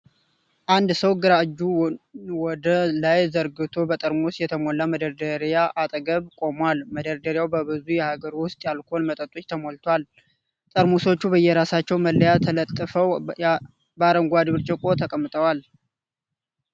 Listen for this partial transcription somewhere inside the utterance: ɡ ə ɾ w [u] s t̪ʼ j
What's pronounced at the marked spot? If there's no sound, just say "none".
ʊ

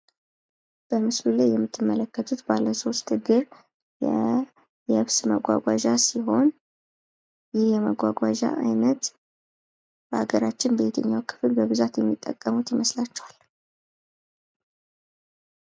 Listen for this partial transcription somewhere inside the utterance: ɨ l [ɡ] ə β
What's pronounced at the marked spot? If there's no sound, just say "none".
b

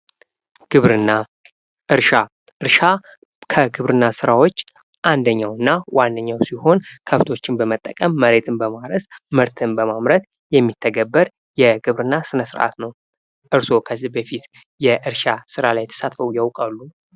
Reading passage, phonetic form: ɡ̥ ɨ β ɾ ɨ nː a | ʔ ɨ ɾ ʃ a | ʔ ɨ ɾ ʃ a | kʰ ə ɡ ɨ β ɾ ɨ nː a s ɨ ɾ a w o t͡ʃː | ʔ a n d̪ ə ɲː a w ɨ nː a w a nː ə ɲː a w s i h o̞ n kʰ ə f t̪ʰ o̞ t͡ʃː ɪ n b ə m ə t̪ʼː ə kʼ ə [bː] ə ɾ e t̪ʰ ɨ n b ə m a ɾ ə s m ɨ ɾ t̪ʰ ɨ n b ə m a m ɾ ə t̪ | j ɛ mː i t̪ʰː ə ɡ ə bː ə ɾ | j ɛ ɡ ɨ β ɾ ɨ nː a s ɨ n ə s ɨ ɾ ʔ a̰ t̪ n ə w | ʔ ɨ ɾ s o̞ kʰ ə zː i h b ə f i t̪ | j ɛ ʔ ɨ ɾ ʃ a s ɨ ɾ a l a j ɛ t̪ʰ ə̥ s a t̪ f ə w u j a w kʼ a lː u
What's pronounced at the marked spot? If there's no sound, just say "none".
mː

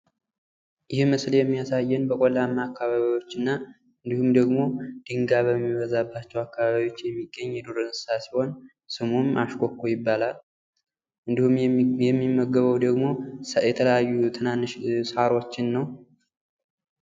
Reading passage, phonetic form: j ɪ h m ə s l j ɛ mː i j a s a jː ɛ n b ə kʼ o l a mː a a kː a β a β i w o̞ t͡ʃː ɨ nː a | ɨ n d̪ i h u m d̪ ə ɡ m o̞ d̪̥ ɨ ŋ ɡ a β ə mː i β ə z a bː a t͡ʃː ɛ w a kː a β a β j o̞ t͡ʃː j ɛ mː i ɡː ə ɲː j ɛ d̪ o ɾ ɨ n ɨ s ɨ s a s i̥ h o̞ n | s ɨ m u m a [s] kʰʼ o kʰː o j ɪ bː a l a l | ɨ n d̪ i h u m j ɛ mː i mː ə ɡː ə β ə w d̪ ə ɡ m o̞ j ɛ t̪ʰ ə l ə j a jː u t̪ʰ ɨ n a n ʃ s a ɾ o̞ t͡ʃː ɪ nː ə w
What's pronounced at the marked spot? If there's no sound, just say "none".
ʃ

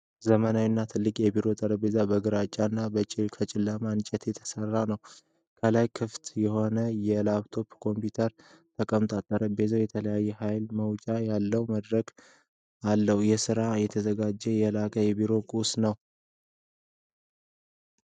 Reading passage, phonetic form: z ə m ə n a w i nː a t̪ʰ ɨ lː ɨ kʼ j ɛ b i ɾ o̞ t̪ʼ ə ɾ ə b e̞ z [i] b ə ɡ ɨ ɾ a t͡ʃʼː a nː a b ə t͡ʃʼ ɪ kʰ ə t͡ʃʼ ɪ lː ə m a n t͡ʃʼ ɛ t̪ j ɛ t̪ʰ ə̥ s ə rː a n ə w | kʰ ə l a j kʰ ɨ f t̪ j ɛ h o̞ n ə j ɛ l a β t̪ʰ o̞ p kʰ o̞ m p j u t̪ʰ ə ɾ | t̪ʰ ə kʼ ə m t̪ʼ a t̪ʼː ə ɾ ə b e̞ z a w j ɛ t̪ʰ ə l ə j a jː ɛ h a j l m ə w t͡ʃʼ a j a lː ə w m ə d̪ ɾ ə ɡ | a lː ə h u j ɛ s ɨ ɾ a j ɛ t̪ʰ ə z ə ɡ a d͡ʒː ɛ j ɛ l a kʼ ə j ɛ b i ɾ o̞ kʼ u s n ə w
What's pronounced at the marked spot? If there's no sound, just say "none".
a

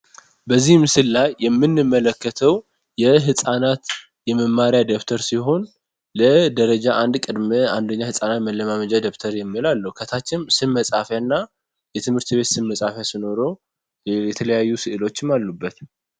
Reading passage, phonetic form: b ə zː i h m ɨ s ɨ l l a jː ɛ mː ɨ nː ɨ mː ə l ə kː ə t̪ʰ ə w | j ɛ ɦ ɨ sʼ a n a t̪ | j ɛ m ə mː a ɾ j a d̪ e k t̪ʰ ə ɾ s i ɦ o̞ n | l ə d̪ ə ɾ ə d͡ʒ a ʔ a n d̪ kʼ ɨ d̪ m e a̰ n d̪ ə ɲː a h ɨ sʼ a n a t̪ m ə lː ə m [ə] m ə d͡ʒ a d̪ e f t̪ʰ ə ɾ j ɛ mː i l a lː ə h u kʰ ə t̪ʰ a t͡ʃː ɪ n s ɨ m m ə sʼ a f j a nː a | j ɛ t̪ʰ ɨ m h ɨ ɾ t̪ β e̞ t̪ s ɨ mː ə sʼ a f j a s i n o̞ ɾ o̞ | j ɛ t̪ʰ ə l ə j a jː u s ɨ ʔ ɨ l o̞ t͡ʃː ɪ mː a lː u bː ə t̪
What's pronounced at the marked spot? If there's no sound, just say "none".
a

